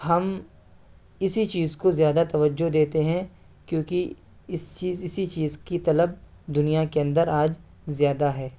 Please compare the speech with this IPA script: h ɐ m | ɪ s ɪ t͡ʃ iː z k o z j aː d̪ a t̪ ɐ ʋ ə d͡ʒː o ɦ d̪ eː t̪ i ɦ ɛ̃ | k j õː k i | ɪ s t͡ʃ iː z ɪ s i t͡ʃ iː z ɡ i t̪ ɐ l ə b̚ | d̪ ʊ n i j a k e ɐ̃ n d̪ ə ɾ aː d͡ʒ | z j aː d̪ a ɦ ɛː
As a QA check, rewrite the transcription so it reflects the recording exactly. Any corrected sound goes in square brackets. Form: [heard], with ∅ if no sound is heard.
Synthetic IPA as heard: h ɐ m | ɪ s [i] t͡ʃ iː z k o z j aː d̪ a t̪ ɐ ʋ ə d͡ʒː o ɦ d̪ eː t̪ [e] ɦ ɛ̃ | k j õː k i | ɪ s t͡ʃ iː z ɪ s i t͡ʃ iː z [k] i t̪ ɐ l ə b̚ | d̪ ʊ n i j a k e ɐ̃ n d̪ ə ɾ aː d͡ʒ | z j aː d̪ a ɦ ɛː